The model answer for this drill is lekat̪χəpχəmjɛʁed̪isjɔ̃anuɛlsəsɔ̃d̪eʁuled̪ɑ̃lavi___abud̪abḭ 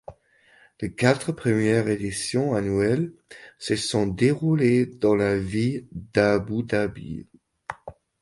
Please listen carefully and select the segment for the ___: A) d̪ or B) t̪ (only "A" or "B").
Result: A